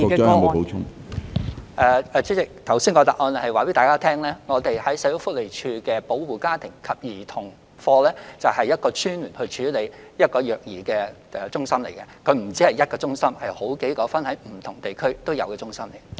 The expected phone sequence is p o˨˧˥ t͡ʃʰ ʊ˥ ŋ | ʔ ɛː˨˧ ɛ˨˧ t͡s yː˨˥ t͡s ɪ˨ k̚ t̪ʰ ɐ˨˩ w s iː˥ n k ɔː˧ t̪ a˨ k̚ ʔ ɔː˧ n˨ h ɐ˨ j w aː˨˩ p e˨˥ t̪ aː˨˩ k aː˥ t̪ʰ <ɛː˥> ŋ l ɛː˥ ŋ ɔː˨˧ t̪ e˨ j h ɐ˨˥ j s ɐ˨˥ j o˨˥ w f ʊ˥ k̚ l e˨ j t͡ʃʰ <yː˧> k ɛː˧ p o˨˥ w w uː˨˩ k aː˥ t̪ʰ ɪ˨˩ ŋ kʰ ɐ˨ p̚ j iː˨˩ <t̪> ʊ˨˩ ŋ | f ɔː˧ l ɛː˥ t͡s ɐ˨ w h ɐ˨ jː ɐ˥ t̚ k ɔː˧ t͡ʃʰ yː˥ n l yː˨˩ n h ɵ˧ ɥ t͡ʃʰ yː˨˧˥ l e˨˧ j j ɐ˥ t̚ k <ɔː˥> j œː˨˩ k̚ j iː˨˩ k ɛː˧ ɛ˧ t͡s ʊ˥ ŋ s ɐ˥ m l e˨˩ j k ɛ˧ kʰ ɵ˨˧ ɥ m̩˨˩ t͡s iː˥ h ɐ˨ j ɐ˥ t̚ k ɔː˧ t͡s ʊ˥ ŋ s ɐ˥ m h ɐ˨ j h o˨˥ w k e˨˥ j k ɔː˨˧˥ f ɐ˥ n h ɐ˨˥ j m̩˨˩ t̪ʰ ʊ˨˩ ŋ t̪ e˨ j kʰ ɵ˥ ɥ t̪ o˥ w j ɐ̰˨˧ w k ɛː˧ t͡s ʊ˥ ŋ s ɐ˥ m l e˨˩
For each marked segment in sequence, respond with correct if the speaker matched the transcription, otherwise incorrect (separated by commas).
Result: correct, correct, incorrect, incorrect